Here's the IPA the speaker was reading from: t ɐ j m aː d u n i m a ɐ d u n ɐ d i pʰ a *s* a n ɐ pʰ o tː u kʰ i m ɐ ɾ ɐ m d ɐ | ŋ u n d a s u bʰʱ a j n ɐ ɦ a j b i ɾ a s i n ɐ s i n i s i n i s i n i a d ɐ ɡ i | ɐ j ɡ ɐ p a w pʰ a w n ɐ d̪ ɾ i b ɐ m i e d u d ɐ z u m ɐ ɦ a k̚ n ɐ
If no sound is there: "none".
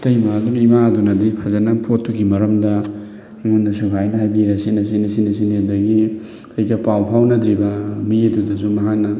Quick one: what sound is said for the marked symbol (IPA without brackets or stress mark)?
z